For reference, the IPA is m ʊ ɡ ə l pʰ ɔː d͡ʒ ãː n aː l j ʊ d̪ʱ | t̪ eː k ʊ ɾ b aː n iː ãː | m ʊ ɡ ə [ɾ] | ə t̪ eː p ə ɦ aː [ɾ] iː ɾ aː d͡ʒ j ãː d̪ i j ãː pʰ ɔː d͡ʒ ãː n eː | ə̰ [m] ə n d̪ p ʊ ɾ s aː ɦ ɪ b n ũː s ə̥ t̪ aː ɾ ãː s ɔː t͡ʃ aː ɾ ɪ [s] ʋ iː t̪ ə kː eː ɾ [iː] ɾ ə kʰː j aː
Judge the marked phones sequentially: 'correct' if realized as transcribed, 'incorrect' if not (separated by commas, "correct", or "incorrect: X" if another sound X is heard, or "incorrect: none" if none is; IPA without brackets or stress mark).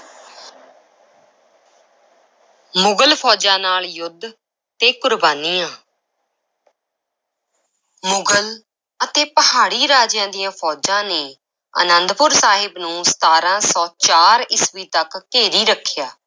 incorrect: l, incorrect: ɽ, incorrect: n, correct, correct